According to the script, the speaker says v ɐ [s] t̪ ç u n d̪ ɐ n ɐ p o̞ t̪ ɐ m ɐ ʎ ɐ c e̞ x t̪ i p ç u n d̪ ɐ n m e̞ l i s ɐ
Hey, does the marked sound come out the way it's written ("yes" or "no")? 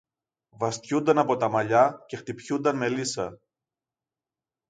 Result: yes